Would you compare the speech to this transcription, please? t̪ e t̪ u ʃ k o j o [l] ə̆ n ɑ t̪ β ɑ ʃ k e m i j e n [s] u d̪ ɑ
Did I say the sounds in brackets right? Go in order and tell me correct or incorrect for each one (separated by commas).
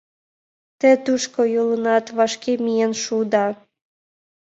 correct, incorrect